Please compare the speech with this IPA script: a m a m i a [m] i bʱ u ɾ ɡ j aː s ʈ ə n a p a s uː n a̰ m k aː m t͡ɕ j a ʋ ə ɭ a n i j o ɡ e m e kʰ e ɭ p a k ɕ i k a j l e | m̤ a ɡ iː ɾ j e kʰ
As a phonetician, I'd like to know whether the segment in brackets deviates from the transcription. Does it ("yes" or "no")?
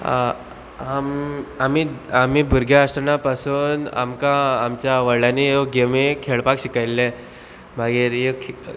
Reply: no